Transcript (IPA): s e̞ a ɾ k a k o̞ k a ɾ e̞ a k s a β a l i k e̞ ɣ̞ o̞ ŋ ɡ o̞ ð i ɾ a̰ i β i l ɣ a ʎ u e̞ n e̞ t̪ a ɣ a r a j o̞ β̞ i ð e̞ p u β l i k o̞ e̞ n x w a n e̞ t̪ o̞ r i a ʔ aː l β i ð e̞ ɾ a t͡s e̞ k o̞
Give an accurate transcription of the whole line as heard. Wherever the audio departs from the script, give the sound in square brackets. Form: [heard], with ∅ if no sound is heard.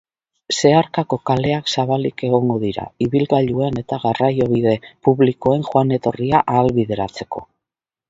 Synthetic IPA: s e̞ a ɾ k a k o̞ k a [l] e̞ a k s a β a l i k e̞ ɣ̞ o̞ ŋ ɡ o̞ ð i ɾ a̰ i β i l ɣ a ʎ u e̞ n e̞ t̪ a ɣ a r a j o̞ β̞ i ð e̞ p u β l i k o̞ e̞ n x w a n e̞ t̪ o̞ r i a ʔ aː l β i ð e̞ ɾ a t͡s e̞ k o̞